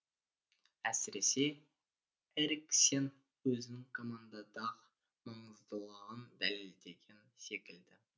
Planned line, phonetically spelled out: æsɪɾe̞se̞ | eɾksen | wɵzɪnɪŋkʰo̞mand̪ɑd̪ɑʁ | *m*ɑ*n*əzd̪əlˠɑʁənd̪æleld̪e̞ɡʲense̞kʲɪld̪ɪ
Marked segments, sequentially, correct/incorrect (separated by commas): correct, incorrect